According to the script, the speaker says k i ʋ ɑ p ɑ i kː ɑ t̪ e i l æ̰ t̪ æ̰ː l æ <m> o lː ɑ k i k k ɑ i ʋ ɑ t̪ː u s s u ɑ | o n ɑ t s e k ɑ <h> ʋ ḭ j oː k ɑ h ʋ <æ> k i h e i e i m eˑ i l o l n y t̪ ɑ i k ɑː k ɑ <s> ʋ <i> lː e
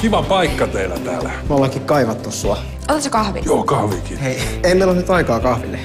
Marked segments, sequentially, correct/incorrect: correct, correct, incorrect, incorrect, correct

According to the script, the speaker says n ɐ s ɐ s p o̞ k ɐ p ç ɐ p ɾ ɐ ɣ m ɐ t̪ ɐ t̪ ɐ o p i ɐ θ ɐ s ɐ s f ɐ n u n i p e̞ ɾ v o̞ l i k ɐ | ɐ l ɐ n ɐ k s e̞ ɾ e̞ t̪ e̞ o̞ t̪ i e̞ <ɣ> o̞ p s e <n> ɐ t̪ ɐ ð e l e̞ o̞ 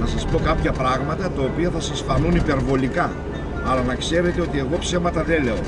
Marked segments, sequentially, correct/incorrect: correct, incorrect

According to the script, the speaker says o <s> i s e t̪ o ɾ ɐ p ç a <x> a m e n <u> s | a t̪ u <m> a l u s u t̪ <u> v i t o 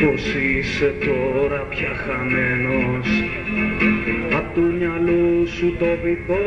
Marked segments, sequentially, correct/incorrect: correct, correct, incorrect, incorrect, incorrect

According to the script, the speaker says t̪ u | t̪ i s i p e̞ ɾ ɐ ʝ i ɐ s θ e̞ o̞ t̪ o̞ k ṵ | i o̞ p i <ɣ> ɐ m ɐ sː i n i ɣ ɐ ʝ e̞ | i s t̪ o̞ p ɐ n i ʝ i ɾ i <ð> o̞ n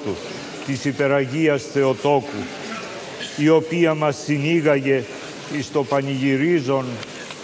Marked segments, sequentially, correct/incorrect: incorrect, incorrect

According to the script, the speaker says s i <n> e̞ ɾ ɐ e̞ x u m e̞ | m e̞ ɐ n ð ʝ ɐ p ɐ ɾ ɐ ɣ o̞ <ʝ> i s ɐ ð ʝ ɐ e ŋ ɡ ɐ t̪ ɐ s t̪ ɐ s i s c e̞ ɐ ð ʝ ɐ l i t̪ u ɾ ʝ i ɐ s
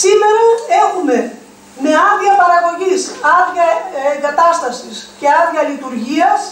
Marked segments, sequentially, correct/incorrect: incorrect, correct

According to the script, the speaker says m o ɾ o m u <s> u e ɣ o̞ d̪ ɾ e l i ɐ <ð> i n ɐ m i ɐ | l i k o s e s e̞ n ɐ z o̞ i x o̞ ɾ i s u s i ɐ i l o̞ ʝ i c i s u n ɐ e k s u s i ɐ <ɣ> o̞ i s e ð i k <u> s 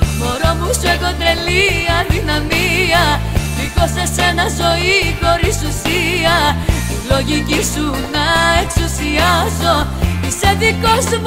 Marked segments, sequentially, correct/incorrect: correct, correct, incorrect, incorrect

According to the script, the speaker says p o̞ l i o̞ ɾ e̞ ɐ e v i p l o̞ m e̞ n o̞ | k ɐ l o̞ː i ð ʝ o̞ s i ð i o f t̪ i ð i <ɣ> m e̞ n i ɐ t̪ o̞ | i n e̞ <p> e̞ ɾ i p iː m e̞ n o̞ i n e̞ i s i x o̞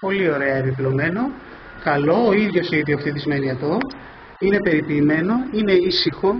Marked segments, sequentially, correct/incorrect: incorrect, correct

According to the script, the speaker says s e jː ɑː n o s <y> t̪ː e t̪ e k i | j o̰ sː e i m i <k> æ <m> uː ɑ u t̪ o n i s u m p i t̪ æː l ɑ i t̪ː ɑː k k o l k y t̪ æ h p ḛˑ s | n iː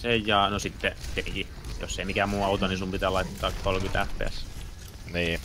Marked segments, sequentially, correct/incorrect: incorrect, correct, correct

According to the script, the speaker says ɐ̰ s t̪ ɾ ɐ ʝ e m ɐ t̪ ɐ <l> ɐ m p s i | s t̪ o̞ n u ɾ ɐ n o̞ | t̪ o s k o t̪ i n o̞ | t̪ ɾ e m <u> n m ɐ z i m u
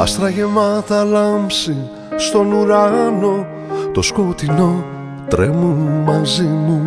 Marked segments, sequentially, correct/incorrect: correct, correct

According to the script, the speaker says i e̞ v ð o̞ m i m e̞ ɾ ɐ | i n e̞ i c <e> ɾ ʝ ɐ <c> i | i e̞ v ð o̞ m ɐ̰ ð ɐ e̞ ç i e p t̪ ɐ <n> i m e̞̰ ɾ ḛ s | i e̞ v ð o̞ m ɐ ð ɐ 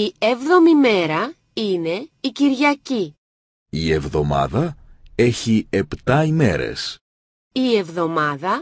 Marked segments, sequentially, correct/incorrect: incorrect, correct, incorrect

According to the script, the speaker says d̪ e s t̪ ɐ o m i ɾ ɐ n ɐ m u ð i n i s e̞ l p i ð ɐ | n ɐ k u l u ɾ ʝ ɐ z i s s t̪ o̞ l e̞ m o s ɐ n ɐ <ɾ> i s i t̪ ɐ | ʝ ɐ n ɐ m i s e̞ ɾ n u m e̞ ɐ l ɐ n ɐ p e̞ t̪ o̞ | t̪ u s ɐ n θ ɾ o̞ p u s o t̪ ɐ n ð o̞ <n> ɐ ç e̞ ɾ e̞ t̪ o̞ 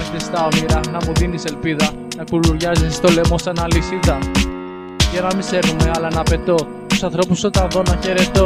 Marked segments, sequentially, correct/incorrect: incorrect, correct

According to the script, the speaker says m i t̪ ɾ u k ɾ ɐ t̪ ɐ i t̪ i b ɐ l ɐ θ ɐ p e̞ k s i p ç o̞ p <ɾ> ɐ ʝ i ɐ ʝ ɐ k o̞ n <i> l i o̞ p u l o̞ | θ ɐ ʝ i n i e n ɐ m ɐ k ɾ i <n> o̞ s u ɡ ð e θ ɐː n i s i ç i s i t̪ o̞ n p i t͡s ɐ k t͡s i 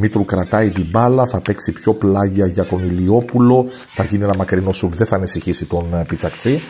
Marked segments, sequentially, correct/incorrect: incorrect, correct, correct

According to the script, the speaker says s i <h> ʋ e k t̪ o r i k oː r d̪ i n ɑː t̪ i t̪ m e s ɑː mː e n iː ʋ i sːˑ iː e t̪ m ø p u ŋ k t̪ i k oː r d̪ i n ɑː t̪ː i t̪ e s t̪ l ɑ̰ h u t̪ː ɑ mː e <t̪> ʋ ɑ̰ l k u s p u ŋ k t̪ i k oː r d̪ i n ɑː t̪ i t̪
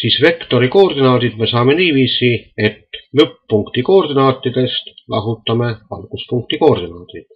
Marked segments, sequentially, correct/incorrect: incorrect, incorrect

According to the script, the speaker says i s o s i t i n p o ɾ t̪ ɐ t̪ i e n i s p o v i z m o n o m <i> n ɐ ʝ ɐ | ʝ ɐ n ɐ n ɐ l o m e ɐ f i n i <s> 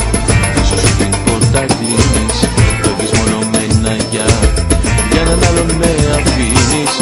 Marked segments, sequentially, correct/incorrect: incorrect, correct

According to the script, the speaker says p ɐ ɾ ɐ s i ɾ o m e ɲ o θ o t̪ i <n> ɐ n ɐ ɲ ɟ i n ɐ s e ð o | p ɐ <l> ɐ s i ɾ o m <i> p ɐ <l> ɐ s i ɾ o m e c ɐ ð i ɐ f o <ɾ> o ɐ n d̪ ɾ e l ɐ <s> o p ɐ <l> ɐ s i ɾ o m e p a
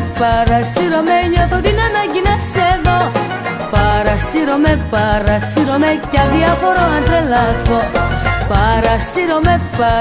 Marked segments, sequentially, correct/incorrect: correct, incorrect, incorrect, incorrect, correct, incorrect, incorrect

